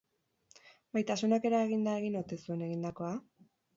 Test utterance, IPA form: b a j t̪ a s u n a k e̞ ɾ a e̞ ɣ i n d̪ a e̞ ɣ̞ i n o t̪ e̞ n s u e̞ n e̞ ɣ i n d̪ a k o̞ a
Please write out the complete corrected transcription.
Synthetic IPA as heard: b a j t̪ a s u n a k e̞ ɾ a e̞ ɣ i n d̪ a e̞ ɣ̞ i n o t̪ e̞ s u e̞ n e̞ ɣ i n d̪ a k o̞ a